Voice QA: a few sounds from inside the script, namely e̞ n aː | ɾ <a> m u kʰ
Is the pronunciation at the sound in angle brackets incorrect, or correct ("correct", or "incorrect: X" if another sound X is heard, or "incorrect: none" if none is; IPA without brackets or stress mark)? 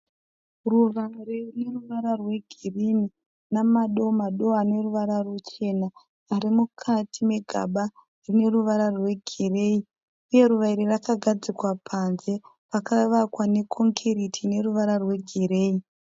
incorrect: i